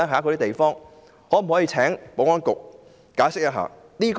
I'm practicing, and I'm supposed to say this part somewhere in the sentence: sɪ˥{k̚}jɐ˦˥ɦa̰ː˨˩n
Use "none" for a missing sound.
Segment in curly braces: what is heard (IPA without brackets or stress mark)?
k̚